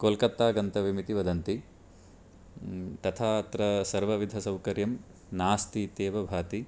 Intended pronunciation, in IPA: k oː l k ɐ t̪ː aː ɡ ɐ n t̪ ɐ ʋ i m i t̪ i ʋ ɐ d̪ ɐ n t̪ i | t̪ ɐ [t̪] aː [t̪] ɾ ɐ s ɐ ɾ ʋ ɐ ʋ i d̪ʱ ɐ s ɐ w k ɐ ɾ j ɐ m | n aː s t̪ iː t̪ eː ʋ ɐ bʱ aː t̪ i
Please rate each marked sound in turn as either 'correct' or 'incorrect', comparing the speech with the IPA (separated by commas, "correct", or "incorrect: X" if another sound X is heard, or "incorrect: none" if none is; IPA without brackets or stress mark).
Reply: incorrect: t̪ʰ, correct